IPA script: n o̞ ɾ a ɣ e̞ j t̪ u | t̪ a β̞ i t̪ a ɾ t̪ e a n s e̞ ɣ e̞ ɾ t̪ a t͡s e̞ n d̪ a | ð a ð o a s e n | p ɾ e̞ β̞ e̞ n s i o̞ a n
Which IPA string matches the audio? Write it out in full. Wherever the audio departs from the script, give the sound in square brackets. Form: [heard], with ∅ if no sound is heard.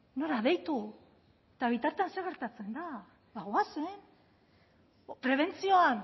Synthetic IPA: n o̞ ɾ a [ð] e̞ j t̪ u | t̪ a β̞ i t̪ a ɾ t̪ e a n s e̞ ɣ e̞ ɾ t̪ a t͡s e̞ n d̪ a | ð a [ɣ] o a s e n | p ɾ e̞ β̞ e̞ n [t͡s] i o̞ a n